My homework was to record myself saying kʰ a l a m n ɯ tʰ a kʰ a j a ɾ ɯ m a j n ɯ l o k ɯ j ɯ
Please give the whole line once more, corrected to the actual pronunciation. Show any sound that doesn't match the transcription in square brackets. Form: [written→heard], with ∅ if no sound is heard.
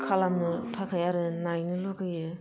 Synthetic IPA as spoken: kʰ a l a m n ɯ tʰ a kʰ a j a ɾ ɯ [m→n] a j n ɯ l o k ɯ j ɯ

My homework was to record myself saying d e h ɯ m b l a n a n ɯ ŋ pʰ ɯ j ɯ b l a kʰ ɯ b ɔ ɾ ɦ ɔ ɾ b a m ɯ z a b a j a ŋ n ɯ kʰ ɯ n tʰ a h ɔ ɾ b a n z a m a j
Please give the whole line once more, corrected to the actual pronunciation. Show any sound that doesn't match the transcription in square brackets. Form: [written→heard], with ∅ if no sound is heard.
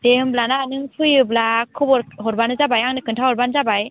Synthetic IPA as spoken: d e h ɯ m b l a n a n ɯ ŋ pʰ ɯ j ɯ b l a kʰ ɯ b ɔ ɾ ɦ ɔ ɾ b a [m→n] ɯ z a b a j a ŋ n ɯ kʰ ɯ n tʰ a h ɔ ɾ b a n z a [m→b] a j

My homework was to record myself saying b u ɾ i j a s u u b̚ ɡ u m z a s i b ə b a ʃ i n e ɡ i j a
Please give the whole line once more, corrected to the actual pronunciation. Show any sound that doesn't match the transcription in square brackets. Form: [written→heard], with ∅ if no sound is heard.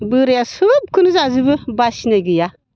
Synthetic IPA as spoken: b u ɾ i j a s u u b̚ [ɡ→k] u [m→n] z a [s→z] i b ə b a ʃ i n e ɡ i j a

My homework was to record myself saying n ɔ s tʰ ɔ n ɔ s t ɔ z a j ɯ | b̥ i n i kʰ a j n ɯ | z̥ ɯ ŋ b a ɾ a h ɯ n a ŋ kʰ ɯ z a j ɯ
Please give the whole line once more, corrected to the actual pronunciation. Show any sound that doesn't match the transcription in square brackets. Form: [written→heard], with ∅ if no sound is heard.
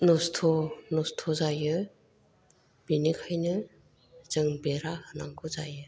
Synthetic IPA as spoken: n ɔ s tʰ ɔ n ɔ s [t→tʰ] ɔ z a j ɯ | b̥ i n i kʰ a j n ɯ | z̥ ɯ ŋ b [a→e] ɾ a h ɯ n a ŋ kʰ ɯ z a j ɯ

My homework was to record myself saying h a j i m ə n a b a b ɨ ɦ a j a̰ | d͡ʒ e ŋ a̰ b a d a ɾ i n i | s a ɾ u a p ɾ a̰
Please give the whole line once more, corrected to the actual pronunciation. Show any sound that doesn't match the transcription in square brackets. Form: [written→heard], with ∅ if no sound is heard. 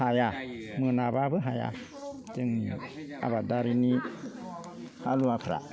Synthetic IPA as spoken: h a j [i→a] m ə n a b a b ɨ ɦ a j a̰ | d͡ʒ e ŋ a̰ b a d a ɾ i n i | [s→h] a [ɾ→l] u a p ɾ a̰

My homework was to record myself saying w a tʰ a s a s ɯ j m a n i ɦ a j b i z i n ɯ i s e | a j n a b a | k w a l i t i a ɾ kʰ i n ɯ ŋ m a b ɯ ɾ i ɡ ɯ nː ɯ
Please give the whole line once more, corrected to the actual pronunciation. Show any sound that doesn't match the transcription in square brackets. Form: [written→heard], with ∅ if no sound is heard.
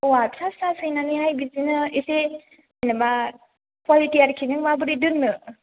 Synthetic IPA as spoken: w a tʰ a s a s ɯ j [m→n] a n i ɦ a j b i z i n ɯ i s e | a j n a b a | k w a l i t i a ɾ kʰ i n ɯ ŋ m a b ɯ ɾ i [ɡ→d] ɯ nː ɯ

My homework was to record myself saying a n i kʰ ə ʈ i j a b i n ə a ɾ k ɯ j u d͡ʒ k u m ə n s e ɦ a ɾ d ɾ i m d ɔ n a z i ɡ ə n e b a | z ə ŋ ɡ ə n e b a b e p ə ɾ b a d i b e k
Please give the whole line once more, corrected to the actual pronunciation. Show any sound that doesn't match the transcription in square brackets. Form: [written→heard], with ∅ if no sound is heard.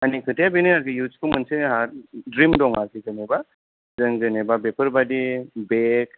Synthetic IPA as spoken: a n i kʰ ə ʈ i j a b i n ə a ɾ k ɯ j u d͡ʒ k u m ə n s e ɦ a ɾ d ɾ i m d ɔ [n→ŋ] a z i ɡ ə n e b a | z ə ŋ ɡ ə n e b a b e p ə ɾ b a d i b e k

